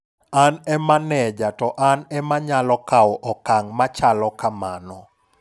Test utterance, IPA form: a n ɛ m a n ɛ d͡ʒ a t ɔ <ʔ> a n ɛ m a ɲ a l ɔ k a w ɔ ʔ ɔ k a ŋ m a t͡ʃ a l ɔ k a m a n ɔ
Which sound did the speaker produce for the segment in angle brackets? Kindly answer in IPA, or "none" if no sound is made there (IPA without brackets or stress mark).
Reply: ʔ